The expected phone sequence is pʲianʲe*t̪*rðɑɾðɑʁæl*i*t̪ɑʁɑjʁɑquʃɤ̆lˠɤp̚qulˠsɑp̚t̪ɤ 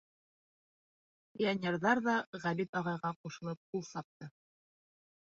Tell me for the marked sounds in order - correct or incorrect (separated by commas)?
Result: incorrect, correct